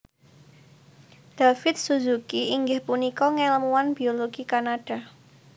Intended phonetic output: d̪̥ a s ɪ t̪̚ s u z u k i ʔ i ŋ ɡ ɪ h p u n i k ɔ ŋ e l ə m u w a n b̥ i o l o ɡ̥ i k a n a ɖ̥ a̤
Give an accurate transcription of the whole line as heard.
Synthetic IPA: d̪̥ a f ɪ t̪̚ s u z u k i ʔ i ŋ ɡ ɪ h p u n i k ɔ ŋ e l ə m u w a n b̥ i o l o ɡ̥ i k a n a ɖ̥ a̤